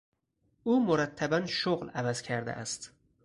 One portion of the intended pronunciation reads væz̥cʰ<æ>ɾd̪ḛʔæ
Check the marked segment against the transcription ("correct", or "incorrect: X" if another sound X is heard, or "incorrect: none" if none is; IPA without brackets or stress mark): correct